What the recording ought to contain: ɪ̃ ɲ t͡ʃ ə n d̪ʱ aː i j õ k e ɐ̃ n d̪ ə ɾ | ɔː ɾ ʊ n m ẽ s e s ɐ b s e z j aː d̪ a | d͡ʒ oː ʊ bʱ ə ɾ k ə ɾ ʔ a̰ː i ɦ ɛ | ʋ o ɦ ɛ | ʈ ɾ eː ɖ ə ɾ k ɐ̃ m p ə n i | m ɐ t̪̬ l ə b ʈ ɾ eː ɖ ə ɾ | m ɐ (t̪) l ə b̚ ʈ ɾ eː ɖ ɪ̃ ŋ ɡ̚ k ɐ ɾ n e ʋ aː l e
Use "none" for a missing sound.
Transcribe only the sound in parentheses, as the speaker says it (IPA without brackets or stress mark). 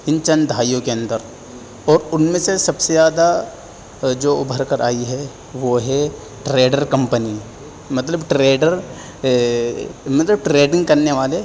t̪